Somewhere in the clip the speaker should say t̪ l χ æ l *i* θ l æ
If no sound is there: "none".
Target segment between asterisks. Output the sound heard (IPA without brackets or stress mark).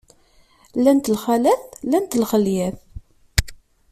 æ